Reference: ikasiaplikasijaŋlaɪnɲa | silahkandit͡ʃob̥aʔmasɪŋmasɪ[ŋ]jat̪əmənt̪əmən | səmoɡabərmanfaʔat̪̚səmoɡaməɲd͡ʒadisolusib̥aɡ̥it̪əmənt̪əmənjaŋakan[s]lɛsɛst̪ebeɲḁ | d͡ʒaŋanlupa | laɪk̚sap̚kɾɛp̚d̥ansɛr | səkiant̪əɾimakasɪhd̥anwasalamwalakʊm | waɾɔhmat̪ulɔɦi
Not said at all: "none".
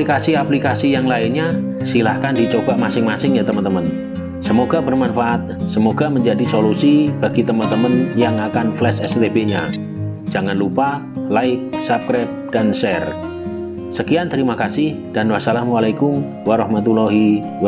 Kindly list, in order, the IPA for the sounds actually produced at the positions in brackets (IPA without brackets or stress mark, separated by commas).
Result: ŋ, f